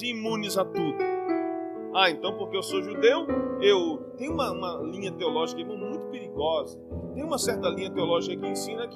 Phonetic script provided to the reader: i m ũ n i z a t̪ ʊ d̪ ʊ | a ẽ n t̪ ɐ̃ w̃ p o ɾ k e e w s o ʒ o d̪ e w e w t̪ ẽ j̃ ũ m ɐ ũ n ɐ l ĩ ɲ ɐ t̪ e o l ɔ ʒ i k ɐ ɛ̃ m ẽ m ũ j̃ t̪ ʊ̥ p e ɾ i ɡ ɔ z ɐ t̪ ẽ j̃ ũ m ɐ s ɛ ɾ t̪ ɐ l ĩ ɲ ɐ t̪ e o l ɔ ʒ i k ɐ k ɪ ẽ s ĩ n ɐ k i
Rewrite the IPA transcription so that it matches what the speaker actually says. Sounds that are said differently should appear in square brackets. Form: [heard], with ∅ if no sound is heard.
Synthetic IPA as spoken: i m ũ n i z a t̪ [u] d̪ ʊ | a ẽ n t̪ ɐ̃ w̃ p o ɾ k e e w s o ʒ [u] d̪ e w e w t̪ ẽ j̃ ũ m ɐ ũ [m] ɐ l ĩ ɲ ɐ t̪ e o l ɔ ʒ i k ɐ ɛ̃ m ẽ m ũ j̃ t̪ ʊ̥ p e ɾ i ɡ ɔ z ɐ t̪ ẽ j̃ ũ m ɐ s ɛ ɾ t̪ ɐ l ĩ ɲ ɐ t̪ e o l ɔ ʒ i k ɐ k ɪ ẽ s ĩ n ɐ k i